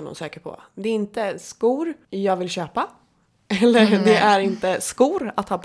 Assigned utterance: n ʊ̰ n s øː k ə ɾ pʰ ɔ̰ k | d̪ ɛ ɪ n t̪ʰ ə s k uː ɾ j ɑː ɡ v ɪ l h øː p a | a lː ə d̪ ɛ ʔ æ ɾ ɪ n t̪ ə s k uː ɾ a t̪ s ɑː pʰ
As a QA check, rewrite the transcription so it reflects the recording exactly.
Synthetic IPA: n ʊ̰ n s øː k ə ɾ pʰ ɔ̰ | d̪ ɛ ɪ n t̪ ə s k uː ɾ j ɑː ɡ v ɪ l ɕ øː p a | ɛ lː ə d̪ ɛ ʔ æ ɾ ɪ n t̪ ə s k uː ɾ a t̪ h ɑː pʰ